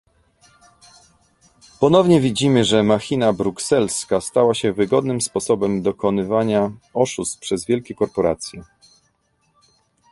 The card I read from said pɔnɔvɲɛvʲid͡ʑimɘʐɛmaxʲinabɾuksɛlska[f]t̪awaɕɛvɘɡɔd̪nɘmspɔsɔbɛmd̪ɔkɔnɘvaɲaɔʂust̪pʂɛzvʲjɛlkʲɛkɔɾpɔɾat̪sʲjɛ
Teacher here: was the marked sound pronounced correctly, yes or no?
no